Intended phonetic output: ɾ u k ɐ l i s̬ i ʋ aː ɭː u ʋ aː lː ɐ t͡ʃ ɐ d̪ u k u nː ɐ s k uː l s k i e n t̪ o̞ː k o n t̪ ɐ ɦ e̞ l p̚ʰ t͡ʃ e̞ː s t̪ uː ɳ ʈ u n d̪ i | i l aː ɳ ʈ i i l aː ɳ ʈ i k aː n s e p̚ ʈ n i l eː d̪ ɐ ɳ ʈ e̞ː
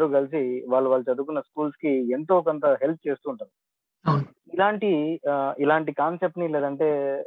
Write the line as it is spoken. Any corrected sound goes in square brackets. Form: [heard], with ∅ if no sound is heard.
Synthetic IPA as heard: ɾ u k ɐ l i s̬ i ʋ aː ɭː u ʋ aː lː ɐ t͡ʃ ɐ d̪ u k u nː ɐ s k uː l s k i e n t̪ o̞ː k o n t̪ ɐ ɦ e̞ l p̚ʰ t͡ʃ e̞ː s t̪ uː ɳ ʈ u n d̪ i | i l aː ɳ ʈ i i l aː ɳ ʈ i k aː n s e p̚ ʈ n i l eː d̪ ɐ ɳ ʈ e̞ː